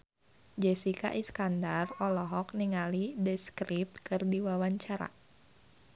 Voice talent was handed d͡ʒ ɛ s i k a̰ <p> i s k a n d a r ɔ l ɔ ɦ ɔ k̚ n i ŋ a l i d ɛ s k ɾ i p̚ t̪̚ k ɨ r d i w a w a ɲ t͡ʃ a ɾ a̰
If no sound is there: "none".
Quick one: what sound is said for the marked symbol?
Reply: ʔ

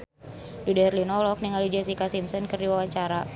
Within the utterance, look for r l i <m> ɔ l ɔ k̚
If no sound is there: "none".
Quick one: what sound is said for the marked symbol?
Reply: n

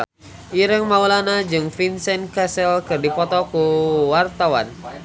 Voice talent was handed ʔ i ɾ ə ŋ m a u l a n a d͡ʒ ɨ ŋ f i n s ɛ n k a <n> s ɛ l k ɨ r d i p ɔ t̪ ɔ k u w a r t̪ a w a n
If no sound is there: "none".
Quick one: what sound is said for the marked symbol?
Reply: none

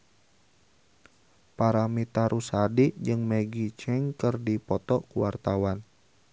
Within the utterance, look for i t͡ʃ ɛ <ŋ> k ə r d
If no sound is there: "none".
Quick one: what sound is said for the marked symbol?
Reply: ŋ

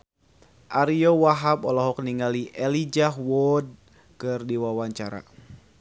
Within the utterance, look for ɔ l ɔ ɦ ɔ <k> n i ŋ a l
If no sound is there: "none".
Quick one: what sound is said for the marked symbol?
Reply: k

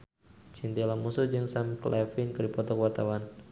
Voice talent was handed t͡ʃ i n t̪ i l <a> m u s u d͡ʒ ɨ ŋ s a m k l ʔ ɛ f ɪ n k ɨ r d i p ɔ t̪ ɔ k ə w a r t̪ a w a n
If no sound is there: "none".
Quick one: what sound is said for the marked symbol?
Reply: a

